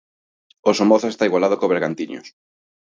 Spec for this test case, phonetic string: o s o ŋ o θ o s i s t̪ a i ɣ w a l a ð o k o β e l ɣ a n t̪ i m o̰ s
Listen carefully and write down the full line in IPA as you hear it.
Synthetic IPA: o s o m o θ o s e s t̪ a i ɣ w a l a ð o k o β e ɾ ɣ a n t̪ i ɲ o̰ s